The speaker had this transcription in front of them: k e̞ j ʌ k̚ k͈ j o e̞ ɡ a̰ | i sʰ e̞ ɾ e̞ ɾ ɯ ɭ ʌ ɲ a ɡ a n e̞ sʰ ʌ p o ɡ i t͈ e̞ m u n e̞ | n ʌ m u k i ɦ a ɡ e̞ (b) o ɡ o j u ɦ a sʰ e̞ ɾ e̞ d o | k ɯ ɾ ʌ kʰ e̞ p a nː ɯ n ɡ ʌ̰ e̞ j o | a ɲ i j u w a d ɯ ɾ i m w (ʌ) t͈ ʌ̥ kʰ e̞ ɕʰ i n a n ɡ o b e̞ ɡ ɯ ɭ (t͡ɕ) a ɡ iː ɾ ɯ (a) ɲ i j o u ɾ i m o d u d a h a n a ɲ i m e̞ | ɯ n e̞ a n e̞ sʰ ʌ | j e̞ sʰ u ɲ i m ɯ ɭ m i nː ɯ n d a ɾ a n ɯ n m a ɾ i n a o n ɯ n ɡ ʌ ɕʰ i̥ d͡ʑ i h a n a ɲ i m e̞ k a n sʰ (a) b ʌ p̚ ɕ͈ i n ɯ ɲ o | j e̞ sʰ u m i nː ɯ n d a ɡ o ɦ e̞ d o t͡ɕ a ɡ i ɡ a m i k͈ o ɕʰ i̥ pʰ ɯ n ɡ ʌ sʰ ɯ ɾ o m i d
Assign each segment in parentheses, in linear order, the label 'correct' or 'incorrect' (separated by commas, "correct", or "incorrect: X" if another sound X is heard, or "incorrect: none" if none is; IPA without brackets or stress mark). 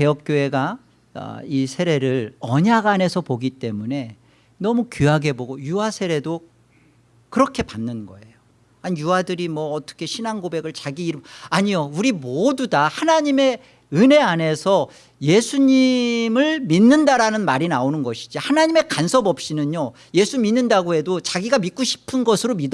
correct, incorrect: ʌː, correct, correct, incorrect: ʌ